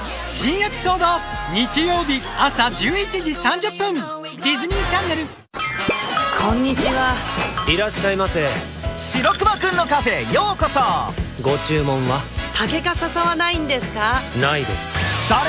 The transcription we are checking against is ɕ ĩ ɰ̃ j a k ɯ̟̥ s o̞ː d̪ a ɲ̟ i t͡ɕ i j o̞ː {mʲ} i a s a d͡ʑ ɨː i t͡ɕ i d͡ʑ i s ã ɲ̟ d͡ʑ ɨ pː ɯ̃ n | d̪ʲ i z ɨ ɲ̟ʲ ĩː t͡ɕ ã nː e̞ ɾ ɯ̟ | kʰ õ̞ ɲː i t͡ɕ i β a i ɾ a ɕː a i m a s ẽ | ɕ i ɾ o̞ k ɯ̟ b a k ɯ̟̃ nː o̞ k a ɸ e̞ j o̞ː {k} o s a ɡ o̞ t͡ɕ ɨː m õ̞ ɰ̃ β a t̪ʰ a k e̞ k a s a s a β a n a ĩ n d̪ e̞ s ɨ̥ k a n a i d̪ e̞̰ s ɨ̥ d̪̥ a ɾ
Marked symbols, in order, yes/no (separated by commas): no, yes